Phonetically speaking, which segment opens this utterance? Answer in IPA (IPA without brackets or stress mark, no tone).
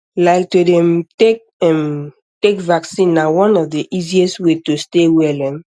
l